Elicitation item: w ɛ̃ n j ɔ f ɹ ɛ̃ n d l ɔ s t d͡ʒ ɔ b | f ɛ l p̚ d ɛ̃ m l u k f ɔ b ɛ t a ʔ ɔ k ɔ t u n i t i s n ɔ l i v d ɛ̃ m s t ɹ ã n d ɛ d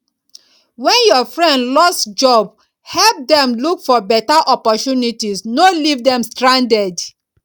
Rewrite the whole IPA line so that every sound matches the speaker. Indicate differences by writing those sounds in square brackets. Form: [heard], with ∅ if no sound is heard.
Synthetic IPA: w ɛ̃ n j ɔ f ɹ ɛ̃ n d l ɔ s t d͡ʒ ɔ b | [h] ɛ l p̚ d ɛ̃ m l u k f ɔ b ɛ t a ʔ ɔ [p] ɔ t u n i t i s n [o] l i v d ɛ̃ m s t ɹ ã n d ɛ d